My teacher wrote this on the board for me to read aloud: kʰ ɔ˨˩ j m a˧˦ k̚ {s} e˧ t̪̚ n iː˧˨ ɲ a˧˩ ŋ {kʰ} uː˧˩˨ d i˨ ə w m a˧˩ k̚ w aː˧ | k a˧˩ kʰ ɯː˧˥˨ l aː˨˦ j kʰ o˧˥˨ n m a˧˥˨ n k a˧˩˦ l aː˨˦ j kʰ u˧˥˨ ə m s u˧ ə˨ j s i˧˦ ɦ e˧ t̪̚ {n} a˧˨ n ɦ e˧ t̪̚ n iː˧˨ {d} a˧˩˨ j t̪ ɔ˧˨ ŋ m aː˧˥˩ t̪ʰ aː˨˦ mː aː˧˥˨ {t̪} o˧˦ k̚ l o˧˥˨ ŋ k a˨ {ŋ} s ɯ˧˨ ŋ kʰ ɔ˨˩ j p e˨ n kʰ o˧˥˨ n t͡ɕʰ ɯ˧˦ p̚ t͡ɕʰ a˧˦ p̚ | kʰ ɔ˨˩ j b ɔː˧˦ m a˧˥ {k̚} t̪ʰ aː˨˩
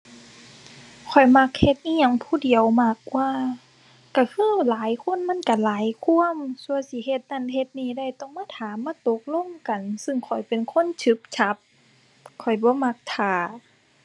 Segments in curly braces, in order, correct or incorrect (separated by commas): incorrect, incorrect, correct, correct, correct, incorrect, correct